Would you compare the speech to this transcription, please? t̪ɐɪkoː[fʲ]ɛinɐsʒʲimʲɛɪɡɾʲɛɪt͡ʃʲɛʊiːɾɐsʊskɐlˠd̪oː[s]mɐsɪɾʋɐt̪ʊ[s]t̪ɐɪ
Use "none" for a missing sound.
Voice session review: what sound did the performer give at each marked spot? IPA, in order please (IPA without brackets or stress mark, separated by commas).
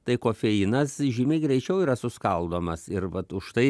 fʲ, none, ʃ